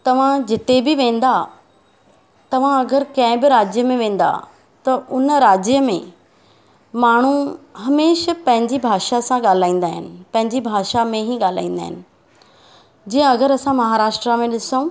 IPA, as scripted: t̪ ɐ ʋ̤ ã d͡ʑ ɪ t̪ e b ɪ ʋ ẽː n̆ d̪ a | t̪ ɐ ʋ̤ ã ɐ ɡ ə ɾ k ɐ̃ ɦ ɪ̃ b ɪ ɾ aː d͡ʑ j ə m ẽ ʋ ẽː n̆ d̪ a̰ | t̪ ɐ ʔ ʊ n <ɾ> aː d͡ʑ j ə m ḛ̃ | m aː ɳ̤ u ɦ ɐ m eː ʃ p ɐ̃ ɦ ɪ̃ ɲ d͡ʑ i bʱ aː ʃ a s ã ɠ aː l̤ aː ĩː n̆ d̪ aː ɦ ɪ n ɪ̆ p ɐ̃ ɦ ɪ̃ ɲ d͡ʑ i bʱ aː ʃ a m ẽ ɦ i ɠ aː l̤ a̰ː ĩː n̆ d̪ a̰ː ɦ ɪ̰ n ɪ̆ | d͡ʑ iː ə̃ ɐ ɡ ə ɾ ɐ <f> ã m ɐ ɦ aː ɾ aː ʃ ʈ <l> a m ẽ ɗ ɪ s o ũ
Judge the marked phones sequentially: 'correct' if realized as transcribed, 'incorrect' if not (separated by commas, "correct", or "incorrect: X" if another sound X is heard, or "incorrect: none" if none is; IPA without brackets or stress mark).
correct, incorrect: s, incorrect: ɾ